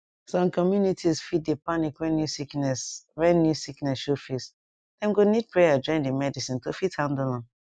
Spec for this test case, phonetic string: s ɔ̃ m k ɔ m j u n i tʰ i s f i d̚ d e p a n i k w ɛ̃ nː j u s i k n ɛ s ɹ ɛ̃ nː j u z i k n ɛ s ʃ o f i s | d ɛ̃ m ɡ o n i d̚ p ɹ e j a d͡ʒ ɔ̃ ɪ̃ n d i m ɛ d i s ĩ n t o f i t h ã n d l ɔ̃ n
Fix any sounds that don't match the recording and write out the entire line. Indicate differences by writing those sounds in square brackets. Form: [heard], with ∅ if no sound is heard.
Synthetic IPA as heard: s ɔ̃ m k ɔ m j u n i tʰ i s f i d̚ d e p a n i k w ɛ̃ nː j u s i k n ɛ s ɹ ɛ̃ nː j u [s] i k n ɛ s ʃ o f i s | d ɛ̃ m ɡ o n i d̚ p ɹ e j a d͡ʒ ɔ̃ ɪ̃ n d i m ɛ d i s ĩ n t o f i t h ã n d l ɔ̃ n